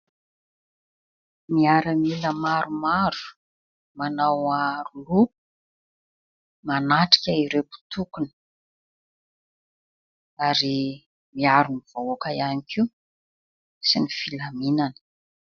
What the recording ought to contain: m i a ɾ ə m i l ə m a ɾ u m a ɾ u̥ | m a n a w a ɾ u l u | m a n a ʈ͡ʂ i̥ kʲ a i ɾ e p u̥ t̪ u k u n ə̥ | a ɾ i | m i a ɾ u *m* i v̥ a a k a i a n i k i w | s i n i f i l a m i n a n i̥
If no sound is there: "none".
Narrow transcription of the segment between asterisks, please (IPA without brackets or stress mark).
n